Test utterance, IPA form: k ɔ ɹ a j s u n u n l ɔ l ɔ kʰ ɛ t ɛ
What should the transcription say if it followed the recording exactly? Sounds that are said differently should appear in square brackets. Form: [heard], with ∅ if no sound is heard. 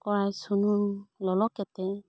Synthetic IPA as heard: k ɔ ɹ a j s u n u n l ɔ l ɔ [k] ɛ t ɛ